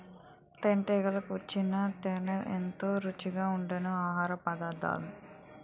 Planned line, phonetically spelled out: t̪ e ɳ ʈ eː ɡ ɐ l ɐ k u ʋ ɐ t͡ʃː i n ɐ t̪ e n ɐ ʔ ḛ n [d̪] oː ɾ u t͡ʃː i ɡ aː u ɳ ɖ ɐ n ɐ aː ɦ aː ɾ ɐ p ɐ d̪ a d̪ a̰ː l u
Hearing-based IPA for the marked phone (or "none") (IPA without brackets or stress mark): t̪